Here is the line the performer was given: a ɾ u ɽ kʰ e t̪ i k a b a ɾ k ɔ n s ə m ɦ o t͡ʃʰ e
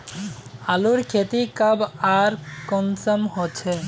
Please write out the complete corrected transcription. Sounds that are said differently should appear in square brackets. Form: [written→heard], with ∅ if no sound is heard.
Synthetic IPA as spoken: a [ɾ→l] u [ɽ→ɾ] kʰ e t̪ i k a b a ɾ k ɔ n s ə m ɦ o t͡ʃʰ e